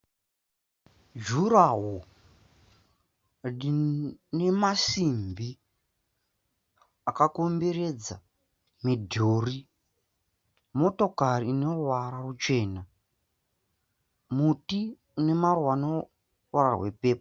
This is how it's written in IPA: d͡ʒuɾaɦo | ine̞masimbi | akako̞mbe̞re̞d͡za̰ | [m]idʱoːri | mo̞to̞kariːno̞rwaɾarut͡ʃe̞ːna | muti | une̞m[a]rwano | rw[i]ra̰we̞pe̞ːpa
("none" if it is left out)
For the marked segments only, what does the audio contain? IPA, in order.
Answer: m, a, a

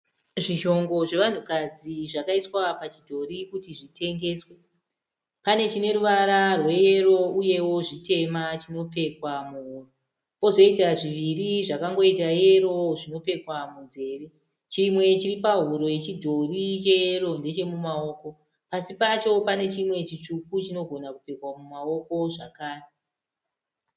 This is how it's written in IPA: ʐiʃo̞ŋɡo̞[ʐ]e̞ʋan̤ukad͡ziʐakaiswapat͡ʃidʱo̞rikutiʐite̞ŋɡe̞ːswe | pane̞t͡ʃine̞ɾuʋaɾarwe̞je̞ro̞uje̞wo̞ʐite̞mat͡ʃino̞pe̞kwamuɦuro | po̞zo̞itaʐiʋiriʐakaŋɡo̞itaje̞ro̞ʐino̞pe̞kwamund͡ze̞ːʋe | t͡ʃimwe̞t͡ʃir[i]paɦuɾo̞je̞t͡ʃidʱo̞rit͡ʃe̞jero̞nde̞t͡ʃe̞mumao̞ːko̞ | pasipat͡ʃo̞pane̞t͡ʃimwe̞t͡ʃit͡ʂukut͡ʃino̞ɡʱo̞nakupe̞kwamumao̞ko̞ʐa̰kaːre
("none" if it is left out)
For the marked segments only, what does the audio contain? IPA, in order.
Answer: ʐ, i

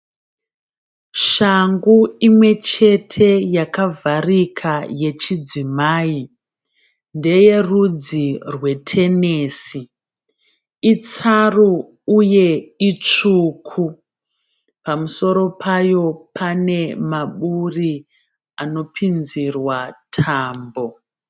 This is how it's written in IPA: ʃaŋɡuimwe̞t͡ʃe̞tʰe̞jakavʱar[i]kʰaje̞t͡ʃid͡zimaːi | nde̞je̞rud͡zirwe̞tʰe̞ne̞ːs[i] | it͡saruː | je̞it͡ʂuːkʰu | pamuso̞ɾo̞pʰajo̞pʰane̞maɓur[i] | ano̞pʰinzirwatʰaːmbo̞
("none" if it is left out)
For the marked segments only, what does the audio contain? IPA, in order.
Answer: i, i, i

